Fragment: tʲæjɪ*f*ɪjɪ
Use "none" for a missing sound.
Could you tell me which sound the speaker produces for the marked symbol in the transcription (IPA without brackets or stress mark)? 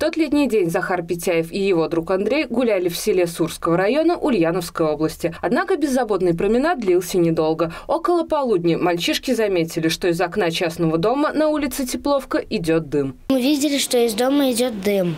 f